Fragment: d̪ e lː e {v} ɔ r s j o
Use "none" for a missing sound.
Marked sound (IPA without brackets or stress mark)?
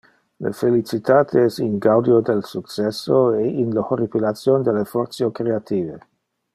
f